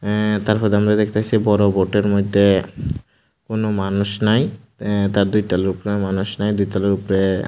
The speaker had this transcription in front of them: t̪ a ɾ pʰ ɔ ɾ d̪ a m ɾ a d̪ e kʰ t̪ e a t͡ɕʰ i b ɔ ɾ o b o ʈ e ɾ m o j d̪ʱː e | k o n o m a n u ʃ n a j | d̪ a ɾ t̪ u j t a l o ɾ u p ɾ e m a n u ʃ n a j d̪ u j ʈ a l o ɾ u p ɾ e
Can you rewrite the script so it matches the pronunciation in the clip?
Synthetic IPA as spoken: t̪ a ɾ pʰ ɔ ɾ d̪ a m ɾ a d̪ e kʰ t̪ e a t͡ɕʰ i b ɔ ɾ o b o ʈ e ɾ m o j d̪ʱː e | k o n o m a n u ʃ n a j | t̪ a ɾ d̪ u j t a l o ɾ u p ɾ e m a n u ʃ n a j d̪ u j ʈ a l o ɾ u p ɾ e